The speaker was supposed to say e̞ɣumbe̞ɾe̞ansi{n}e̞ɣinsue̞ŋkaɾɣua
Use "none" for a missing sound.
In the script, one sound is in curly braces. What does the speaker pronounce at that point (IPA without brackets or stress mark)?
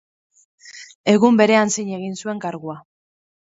ɲ